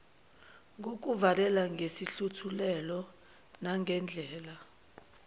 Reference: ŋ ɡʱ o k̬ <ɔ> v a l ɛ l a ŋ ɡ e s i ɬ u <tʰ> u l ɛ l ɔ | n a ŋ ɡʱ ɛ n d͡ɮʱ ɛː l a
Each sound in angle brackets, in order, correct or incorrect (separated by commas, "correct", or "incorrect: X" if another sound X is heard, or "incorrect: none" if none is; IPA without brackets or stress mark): incorrect: u, correct